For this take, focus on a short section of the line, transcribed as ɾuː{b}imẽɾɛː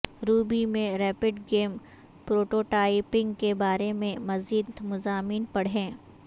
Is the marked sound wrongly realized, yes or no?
no